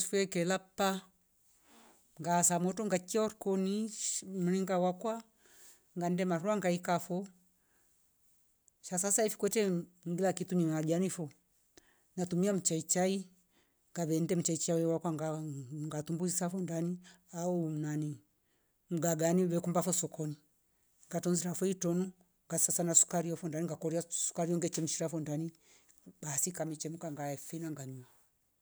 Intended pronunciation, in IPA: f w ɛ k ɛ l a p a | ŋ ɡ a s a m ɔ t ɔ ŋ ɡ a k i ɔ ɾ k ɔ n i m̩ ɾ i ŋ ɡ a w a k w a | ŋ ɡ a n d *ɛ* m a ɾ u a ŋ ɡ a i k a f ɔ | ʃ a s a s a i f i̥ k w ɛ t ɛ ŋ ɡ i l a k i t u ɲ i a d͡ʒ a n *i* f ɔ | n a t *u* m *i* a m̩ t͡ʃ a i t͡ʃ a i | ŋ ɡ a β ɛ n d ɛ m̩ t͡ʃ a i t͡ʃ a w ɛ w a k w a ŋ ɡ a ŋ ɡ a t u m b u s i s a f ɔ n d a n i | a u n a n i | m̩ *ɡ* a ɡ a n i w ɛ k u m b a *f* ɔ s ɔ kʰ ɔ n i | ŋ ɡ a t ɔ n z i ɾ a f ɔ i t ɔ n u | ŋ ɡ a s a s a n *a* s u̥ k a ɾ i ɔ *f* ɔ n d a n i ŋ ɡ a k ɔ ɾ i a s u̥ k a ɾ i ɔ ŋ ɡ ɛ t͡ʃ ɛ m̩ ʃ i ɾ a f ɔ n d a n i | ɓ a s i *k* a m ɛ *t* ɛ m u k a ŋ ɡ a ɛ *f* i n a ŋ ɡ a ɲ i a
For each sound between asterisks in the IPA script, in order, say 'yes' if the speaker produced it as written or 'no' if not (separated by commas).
yes, yes, yes, yes, yes, yes, yes, yes, yes, no, yes